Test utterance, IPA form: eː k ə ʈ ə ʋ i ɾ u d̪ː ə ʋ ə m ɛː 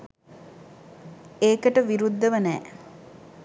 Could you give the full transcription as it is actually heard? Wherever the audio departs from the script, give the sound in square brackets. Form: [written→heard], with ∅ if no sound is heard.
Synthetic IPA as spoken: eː k ə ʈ ə ʋ i ɾ u d̪ː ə ʋ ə [m→n] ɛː